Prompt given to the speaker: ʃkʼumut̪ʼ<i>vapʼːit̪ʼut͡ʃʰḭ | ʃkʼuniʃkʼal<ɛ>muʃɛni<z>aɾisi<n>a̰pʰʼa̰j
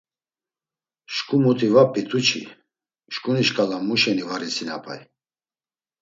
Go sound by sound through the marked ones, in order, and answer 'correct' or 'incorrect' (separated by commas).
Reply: correct, incorrect, incorrect, correct